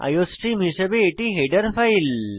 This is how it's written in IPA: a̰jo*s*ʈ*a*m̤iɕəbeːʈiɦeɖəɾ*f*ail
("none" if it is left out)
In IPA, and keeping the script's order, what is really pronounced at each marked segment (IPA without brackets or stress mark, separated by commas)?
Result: s, i, f